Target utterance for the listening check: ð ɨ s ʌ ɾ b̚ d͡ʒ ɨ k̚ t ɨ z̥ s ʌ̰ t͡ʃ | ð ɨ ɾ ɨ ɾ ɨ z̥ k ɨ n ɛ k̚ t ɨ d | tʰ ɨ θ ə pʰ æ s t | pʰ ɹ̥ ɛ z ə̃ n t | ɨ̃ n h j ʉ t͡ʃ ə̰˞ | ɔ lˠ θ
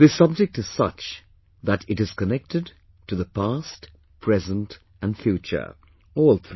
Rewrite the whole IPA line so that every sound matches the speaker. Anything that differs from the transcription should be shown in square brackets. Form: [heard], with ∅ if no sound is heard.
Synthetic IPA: ð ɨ s ʌ [∅] b̚ d͡ʒ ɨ k̚ t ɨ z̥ s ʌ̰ t͡ʃ | ð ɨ ɾ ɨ ɾ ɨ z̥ k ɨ n ɛ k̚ t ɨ d | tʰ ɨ [ð] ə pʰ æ s t | pʰ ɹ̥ ɛ z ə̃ n t | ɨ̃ n [f] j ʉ t͡ʃ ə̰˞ | ɔ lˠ θ